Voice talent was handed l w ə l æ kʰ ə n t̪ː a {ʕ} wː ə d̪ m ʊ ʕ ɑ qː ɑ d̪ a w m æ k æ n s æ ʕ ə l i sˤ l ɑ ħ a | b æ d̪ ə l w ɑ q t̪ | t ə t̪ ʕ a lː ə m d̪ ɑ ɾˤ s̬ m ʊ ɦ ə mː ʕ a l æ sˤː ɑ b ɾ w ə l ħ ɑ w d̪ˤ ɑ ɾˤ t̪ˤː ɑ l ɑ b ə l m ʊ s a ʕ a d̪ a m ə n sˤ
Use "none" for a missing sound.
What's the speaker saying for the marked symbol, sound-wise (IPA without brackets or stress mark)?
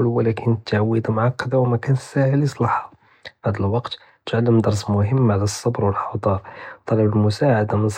ʕ